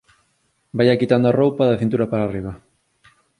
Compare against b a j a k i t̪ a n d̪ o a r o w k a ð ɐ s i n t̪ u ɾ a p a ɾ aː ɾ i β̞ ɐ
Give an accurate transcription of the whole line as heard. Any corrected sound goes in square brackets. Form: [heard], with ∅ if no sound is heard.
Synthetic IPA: b a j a k i t̪ a n d̪ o a r o w [p] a ð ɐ [θ] i n t̪ u ɾ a p a ɾ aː [r] i β̞ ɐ